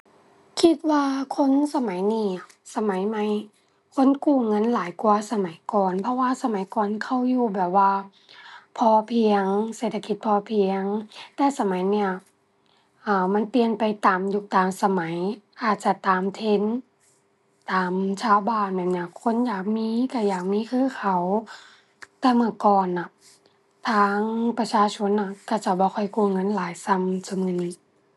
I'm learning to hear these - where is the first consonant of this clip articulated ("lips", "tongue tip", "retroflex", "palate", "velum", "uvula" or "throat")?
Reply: velum